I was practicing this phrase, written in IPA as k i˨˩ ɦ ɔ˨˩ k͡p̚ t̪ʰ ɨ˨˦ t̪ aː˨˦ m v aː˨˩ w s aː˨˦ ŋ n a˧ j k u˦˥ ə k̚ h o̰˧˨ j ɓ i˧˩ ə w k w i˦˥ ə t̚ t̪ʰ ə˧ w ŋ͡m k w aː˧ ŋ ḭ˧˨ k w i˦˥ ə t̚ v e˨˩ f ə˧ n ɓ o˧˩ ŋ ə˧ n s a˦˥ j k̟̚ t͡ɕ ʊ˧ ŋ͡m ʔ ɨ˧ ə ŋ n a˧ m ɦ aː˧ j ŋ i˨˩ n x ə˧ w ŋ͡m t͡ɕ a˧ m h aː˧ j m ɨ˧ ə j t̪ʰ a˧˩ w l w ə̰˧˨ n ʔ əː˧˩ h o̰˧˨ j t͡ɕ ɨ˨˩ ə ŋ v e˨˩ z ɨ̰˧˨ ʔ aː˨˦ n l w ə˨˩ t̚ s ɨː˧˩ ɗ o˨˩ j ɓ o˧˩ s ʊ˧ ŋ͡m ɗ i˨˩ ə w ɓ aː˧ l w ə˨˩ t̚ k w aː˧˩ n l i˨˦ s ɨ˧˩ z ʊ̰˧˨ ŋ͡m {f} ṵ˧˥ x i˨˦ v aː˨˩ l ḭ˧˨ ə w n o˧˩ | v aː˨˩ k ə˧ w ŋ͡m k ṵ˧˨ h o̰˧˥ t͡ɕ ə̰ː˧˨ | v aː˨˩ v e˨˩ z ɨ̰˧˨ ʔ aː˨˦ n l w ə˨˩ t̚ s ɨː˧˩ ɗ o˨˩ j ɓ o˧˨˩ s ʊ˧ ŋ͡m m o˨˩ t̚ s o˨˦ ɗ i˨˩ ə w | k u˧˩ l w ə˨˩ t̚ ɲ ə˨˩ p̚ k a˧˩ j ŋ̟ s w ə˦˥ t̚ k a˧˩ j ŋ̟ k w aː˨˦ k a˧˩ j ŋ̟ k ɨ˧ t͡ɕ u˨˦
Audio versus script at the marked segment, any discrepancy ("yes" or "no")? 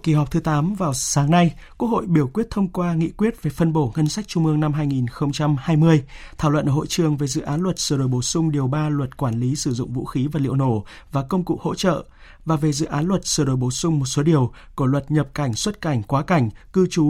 yes